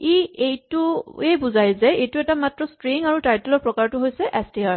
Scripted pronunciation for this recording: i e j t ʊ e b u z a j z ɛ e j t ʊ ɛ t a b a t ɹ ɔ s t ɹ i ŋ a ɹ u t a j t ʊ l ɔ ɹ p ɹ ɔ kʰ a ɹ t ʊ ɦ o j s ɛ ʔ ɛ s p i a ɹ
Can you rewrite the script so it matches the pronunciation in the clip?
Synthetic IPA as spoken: i e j t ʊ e b u z a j z ɛ e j t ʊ ɛ t a m a t ɹ ɔ s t ɹ i ŋ a ɹ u t a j t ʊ l ɔ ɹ p ɹ ɔ k a ɹ t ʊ ɦ o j s ɛ ʔ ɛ s t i a ɹ